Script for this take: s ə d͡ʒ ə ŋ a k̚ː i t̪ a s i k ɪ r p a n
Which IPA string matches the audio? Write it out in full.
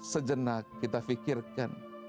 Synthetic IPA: s ə d͡ʒ ə n a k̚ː i t̪ a f i k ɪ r k a n